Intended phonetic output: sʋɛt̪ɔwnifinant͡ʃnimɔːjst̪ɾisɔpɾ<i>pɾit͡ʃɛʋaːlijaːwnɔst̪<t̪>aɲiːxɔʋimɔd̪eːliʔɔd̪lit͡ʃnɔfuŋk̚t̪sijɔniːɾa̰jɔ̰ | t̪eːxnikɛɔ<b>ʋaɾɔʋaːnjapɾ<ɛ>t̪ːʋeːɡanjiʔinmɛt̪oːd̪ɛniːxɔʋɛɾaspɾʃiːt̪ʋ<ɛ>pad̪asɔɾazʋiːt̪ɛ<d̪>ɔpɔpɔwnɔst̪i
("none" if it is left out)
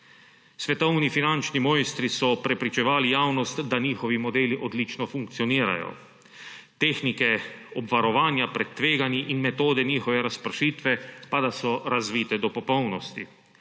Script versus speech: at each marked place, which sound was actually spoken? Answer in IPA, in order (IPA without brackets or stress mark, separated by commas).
ɛ, d̪, b, ɛ, ɛ, d̪